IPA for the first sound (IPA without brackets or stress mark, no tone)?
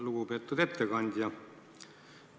l